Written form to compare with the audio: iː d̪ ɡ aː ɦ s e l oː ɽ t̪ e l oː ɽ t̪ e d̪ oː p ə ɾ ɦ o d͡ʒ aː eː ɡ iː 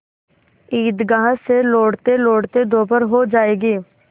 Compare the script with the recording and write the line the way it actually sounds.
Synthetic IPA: iː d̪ ɡ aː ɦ s e l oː ɽ t̪ e l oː ɽ t̪ e d̪ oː p ə ɾ ɦ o d͡ʒ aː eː ɡ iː